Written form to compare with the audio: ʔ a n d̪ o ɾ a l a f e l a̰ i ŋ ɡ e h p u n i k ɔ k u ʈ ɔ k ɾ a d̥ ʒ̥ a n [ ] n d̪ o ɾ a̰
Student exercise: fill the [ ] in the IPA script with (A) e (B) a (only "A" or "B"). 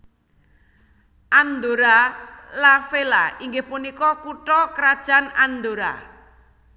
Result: B